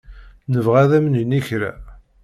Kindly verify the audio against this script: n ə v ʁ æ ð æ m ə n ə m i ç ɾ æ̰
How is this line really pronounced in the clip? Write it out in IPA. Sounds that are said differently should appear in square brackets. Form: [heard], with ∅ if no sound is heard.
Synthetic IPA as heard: n ə v ʁ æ ð æ m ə n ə [n] i ç ɾ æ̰

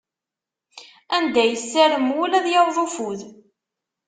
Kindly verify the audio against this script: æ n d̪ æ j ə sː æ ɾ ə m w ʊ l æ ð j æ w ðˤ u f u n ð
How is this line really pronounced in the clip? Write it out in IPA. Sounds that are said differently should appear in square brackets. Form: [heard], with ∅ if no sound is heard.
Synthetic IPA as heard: æ n d̪ æ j ə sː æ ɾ ə m w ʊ l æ ð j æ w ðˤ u f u [∅] ð

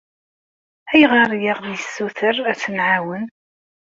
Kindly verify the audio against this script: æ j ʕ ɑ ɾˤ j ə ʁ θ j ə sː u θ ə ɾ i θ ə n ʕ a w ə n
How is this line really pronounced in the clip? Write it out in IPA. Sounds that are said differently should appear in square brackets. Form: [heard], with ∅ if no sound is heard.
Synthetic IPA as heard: æ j [ʁ] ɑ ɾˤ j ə ʁ [ð] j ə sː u θ ə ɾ [æ] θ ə n ʕ a w ə n

